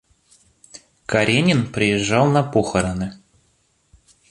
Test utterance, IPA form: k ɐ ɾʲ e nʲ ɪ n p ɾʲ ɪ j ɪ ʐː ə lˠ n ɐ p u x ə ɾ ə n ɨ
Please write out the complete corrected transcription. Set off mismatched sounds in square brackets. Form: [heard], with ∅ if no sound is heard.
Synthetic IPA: k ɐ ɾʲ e nʲ ɪ n p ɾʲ ɪ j ɪ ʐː [ɑ] lˠ n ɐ p [o] x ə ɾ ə n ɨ